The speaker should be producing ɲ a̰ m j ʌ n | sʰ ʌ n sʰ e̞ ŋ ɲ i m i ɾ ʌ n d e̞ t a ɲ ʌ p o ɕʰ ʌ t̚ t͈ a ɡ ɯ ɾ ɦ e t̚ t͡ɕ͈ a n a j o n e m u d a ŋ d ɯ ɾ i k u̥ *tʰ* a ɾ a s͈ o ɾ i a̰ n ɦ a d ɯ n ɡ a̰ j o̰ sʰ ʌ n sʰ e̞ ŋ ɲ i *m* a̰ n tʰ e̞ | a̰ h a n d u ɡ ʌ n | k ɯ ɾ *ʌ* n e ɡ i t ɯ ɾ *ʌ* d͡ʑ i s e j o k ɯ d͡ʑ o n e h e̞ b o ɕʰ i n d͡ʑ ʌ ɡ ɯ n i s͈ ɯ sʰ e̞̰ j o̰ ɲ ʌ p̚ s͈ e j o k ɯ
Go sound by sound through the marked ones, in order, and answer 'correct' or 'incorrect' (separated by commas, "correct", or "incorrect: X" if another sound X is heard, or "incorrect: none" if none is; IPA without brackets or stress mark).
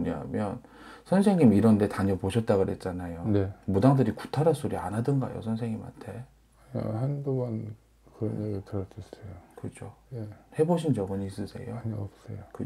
correct, correct, correct, correct